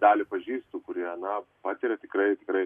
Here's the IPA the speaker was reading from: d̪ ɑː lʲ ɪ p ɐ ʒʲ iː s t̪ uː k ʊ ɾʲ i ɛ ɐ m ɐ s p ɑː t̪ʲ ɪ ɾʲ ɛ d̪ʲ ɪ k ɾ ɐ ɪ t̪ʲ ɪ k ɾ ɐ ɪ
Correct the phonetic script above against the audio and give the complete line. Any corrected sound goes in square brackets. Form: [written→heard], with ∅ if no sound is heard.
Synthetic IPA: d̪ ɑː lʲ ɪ p ɐ ʒʲ iː s t̪ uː k ʊ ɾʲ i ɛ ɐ [m→n] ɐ [s→∅] p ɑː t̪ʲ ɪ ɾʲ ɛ [d̪ʲ→t̪ʲ] ɪ k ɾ ɐ ɪ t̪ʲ ɪ k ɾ ɐ ɪ